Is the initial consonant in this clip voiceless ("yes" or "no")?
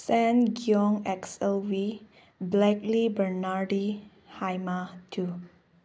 yes